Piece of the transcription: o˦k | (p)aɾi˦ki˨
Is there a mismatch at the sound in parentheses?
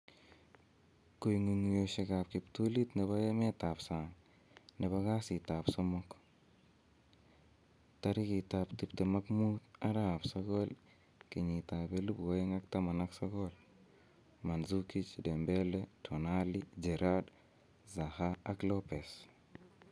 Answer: yes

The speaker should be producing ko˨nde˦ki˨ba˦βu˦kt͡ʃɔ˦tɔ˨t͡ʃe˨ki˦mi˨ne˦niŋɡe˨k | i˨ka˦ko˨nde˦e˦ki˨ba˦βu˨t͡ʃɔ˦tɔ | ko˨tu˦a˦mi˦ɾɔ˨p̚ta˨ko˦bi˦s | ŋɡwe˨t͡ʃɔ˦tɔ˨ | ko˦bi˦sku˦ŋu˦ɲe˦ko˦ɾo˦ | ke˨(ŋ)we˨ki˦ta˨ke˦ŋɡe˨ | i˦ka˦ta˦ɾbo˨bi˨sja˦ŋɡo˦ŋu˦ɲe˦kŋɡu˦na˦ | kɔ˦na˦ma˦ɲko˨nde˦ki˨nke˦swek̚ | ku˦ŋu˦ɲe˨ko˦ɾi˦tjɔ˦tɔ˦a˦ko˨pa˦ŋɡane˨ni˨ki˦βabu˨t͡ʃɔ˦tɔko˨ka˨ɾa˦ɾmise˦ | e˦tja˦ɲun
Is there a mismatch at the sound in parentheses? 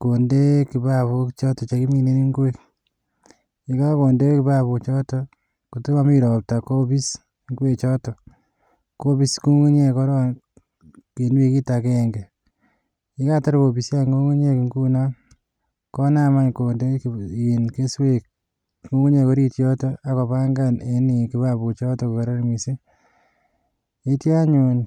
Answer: yes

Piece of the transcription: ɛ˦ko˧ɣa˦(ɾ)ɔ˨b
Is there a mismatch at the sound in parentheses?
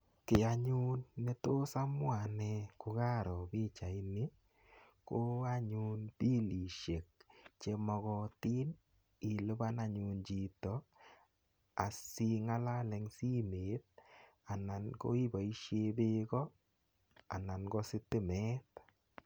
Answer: no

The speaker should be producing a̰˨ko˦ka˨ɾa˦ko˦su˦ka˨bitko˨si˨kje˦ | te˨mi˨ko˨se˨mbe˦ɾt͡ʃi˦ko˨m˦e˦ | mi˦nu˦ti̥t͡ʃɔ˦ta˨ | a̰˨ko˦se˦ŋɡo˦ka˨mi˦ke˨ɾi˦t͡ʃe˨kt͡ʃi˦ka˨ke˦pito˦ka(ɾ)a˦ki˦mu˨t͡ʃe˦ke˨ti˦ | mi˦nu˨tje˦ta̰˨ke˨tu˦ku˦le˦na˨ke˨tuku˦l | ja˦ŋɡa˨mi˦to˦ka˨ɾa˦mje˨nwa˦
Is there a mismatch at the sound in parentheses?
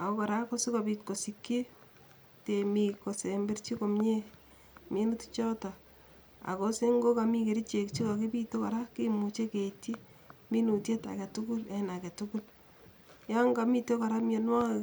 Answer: no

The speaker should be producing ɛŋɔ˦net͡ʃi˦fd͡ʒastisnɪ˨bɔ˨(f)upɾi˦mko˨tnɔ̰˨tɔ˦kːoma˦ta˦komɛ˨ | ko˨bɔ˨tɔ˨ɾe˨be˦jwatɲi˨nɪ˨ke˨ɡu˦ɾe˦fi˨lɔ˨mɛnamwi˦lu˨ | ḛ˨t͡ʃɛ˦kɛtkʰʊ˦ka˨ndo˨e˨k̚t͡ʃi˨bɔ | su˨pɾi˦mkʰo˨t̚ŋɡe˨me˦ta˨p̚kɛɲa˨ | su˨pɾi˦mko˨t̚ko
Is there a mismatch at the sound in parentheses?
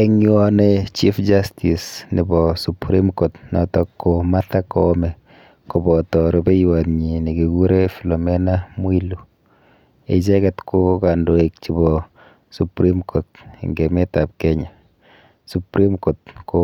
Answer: yes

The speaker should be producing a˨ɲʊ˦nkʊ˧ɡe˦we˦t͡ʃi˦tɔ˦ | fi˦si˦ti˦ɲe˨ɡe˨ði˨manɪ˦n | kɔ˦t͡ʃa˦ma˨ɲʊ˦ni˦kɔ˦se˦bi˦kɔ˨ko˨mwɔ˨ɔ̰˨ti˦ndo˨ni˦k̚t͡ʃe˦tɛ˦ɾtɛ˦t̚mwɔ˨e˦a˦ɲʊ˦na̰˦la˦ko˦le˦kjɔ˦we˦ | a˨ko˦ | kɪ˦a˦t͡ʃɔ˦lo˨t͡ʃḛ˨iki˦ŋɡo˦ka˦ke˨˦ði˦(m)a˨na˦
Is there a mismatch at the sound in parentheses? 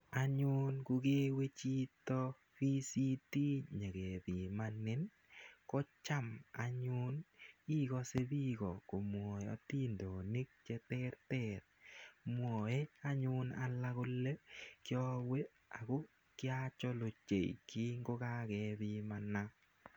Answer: no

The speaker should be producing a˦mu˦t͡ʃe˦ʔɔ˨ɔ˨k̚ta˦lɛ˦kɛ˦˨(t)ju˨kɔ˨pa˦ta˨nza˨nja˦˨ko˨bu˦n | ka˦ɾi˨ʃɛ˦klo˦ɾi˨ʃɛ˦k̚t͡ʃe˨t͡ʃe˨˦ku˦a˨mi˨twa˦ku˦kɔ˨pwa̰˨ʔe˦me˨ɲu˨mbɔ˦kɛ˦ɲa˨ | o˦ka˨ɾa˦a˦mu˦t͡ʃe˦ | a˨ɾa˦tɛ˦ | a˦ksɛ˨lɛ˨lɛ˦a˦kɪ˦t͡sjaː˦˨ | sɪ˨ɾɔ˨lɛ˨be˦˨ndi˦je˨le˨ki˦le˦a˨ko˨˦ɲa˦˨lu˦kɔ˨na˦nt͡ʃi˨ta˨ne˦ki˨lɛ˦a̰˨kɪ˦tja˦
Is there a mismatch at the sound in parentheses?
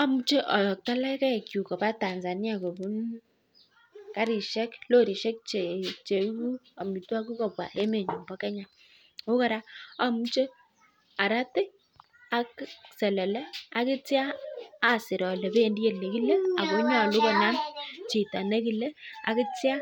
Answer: yes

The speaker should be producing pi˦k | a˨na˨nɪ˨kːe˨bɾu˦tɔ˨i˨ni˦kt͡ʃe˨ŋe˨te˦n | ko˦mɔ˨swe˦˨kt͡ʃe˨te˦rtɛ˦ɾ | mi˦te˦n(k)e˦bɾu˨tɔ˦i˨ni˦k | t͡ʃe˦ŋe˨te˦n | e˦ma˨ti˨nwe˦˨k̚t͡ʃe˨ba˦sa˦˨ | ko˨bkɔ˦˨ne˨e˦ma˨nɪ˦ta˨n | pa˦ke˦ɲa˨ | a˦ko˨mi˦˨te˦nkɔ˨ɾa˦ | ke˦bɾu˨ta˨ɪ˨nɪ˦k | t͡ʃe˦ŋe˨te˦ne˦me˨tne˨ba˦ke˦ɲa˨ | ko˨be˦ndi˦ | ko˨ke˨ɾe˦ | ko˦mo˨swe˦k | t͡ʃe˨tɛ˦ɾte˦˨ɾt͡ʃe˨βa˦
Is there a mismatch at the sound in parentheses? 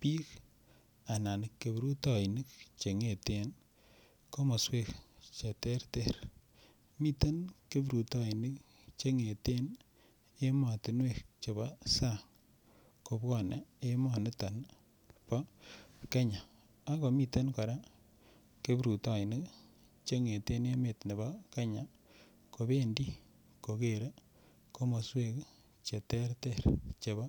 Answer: no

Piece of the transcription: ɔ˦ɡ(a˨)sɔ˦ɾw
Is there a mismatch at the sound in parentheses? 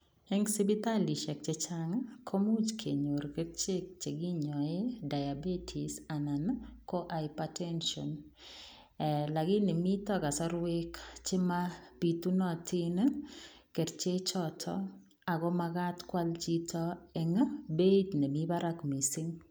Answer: no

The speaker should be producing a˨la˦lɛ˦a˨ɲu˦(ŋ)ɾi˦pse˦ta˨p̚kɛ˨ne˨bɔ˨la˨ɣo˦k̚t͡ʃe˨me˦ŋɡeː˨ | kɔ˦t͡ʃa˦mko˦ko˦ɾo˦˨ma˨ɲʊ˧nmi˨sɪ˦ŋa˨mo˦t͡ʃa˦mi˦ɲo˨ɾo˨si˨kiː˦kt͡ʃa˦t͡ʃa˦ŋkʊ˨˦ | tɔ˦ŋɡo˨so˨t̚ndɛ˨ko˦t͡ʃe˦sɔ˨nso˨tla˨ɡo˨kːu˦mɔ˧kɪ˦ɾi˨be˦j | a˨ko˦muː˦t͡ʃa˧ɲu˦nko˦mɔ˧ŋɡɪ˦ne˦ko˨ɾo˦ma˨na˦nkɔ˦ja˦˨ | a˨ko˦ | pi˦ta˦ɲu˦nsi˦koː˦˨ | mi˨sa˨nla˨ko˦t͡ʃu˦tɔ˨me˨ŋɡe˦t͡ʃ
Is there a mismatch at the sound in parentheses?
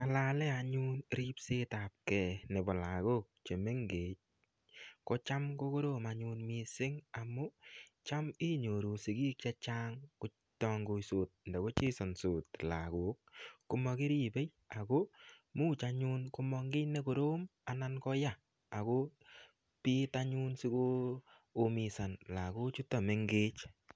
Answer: yes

